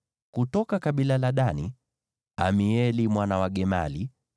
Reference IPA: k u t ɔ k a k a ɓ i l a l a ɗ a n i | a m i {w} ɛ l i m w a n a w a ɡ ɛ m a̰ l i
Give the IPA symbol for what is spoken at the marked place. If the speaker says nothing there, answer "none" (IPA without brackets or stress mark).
none